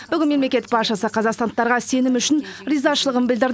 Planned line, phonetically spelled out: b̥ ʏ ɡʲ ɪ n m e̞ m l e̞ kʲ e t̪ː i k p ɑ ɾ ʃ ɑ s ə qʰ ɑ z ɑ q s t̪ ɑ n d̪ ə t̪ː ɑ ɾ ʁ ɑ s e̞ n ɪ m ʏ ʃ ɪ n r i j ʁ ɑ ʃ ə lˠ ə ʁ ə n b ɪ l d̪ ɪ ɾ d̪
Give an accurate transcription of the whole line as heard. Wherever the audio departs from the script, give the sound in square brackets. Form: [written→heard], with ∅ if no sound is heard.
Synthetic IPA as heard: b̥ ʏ ɡʲ ɪ n m e̞ m l e̞ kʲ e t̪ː [i→ɪ] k p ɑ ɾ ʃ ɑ s ə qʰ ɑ z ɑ q s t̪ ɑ n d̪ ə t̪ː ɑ ɾ ʁ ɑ s e̞ n ɪ m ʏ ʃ ɪ n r i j [ʁ→z] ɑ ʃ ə lˠ ə ʁ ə n b ɪ l d̪ ɪ ɾ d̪